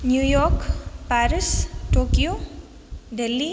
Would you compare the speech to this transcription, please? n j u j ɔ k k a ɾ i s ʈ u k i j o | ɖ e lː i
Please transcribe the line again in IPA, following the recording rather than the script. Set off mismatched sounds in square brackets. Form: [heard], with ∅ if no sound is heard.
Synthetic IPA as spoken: n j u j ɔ k [p] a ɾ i s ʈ [o] k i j o | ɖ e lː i